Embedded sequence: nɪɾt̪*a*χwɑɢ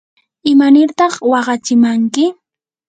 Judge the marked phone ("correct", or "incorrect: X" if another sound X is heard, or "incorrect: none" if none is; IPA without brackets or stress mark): incorrect: ɑ